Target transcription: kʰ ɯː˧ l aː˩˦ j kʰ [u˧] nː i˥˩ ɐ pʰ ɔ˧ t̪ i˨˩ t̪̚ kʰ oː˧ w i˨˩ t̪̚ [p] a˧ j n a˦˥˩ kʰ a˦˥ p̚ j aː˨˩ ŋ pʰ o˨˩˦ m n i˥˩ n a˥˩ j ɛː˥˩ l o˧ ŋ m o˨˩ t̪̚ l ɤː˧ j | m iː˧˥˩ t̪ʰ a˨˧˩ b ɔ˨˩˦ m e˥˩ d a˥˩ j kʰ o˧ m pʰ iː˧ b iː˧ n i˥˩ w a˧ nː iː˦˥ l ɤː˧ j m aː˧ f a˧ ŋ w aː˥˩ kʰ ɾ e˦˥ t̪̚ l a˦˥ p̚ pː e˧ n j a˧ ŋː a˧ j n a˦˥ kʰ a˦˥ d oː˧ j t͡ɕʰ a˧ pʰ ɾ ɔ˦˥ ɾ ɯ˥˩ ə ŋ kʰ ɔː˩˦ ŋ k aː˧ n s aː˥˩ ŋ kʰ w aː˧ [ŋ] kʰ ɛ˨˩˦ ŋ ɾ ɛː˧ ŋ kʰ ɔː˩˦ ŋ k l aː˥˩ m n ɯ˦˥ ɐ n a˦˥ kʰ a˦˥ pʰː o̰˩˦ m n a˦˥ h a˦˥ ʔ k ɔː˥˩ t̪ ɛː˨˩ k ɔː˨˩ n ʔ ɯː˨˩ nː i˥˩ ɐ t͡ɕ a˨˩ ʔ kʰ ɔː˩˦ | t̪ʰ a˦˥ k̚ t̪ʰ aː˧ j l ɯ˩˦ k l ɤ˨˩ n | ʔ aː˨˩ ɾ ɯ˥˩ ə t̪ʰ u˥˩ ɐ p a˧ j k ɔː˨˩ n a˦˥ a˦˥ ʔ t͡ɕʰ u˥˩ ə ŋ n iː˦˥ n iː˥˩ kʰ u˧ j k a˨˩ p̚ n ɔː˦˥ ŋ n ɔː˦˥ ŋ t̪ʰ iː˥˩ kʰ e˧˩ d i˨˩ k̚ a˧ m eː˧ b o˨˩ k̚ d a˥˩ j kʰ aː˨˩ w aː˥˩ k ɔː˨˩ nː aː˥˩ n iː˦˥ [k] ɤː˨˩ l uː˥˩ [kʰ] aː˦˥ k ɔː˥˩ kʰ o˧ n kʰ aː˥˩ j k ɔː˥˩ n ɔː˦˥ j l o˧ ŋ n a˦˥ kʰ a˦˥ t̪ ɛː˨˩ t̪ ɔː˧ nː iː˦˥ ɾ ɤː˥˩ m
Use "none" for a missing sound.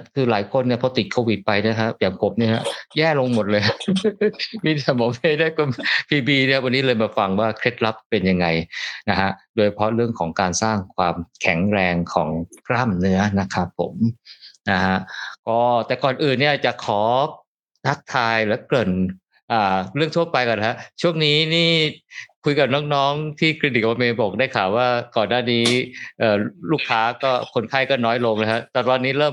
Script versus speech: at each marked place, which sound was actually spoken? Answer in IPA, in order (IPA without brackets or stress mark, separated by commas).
o˧, p, m, ʔ, kʰ